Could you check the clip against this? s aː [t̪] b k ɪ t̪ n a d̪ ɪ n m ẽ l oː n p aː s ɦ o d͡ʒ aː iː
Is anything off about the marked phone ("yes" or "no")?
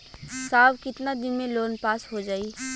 yes